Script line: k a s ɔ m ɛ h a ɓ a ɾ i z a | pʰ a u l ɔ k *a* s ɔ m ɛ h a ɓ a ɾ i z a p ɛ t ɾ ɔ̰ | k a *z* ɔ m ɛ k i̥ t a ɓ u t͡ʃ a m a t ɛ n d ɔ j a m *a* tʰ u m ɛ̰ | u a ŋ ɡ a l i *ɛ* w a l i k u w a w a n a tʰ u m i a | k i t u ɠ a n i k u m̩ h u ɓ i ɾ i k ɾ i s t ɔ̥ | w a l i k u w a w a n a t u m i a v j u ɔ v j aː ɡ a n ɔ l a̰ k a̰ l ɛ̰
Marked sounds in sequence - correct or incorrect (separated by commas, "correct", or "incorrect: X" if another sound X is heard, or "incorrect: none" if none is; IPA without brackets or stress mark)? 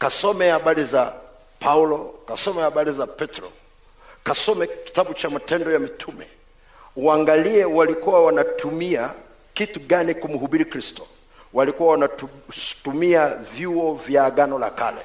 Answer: correct, incorrect: s, incorrect: i, correct